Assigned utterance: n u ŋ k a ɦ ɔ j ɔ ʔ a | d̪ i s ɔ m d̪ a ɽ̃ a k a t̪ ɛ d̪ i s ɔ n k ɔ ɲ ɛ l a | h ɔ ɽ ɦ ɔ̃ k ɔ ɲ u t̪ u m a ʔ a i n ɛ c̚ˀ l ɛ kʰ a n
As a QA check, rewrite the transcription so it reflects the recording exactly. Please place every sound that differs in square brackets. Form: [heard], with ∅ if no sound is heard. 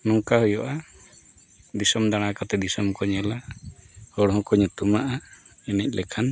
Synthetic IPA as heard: n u ŋ k a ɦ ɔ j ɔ ʔ a | d̪ i s ɔ m d̪ a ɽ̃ a k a t̪ ɛ d̪ i s ɔ [m] k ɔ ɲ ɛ l a | h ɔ ɽ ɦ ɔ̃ k ɔ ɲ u t̪ u m a ʔ a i n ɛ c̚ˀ l ɛ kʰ a n

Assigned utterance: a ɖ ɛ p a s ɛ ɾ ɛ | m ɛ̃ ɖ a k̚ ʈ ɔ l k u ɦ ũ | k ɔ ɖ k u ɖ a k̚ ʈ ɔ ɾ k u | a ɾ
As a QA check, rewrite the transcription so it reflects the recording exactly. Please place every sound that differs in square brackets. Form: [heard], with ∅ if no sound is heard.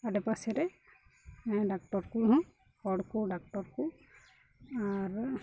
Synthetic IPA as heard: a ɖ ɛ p a s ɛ ɾ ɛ | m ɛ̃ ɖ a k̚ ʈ ɔ [ɾ] k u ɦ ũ | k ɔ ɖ k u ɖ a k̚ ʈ ɔ ɾ k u | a ɾ

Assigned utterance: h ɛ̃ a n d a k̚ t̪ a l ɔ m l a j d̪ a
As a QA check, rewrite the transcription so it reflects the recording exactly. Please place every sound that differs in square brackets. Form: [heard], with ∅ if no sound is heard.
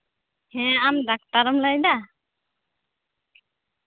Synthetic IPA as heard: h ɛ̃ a [m] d a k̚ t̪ a [ɾ] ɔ m l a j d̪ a

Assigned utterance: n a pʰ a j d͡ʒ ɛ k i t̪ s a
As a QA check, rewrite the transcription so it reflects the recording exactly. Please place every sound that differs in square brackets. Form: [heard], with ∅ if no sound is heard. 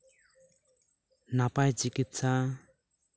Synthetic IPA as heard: n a [p] a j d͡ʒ [i] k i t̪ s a

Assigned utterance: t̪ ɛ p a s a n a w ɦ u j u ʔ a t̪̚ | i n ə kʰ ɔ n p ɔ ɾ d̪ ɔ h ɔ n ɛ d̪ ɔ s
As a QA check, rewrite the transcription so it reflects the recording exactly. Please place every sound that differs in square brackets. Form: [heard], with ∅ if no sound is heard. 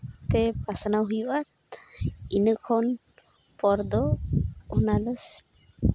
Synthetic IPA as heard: t̪ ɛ p a s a n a w ɦ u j u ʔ a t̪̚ | i n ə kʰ ɔ n p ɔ ɾ d̪ ɔ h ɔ n [a] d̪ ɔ s

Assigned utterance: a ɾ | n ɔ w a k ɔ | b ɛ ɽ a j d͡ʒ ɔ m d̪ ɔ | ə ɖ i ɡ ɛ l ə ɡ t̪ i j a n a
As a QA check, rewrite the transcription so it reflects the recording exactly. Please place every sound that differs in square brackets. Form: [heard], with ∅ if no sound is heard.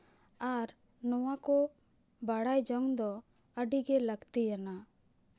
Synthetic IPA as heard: a ɾ | n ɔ w a k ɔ | b [a] ɽ a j d͡ʒ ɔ [ŋ] d̪ ɔ | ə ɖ i ɡ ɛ l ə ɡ t̪ i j a n a

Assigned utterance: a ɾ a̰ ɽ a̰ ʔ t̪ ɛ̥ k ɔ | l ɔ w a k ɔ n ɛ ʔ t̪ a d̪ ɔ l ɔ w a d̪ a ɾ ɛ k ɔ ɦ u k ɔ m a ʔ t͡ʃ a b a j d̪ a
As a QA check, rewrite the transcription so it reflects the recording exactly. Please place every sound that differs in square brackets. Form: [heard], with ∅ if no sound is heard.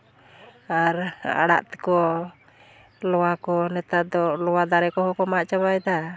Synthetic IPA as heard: a ɾ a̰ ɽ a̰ ʔ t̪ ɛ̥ k ɔ | l ɔ w a k ɔ n ɛ [∅] t̪ a d̪ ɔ l ɔ w a d̪ a ɾ ɛ k ɔ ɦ [ɔ] k ɔ m a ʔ t͡ʃ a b a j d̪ a

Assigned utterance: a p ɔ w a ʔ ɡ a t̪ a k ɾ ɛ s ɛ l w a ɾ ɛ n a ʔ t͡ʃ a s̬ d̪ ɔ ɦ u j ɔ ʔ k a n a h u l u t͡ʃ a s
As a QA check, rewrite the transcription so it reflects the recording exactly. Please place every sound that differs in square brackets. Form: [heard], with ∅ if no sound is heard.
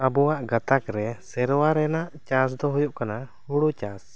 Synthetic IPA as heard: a [b] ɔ w a ʔ ɡ a t̪ a k ɾ ɛ s ɛ [ɾ] w a ɾ ɛ n a ʔ t͡ʃ a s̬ d̪ ɔ ɦ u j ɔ ʔ k a n a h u [ɽ] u t͡ʃ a s

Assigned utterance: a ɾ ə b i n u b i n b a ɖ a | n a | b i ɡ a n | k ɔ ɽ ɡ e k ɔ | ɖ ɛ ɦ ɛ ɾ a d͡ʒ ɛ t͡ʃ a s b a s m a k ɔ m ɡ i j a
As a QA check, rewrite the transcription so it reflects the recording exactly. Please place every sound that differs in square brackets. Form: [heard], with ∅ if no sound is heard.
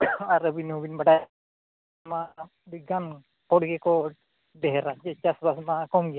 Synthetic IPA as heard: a ɾ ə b i n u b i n b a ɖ a | [m] a | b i ɡ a n | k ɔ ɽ ɡ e k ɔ | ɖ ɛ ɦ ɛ ɾ a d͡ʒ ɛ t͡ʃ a s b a s m a k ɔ m ɡ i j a

